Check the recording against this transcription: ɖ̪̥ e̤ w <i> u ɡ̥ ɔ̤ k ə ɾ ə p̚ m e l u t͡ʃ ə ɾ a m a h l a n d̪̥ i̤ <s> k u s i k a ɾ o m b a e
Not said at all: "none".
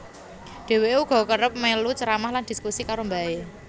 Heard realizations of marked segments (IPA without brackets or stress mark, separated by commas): e, s